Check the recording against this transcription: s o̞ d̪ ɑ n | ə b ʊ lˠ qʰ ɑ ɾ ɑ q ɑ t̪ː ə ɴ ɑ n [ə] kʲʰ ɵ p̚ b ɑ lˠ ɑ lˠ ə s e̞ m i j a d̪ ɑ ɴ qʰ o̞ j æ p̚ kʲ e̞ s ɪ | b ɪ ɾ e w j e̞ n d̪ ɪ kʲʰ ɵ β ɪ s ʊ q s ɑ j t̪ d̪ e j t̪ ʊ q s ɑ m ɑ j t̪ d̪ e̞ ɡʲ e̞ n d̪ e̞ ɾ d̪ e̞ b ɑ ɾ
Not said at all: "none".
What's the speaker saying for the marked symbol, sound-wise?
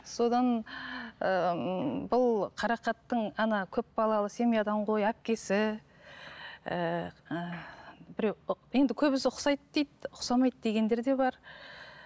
ɑ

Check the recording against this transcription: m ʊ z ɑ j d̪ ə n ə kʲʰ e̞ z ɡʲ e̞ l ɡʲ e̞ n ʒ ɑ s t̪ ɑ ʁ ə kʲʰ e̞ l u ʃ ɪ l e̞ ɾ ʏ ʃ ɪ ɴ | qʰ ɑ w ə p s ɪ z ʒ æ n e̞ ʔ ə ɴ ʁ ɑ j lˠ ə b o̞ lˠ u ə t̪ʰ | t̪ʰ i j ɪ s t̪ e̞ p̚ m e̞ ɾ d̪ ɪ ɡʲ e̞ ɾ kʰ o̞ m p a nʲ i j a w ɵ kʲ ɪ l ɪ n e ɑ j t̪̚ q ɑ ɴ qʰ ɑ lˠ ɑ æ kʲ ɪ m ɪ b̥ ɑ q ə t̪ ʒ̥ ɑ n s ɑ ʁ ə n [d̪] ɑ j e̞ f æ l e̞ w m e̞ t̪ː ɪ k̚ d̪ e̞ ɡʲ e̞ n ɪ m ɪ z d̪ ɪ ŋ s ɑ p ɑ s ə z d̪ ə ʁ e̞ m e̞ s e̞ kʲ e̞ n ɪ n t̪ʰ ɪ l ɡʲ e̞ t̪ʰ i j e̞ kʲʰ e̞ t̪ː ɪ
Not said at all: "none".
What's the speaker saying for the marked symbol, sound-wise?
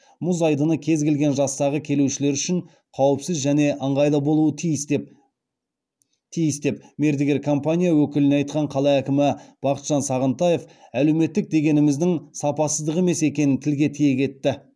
t̪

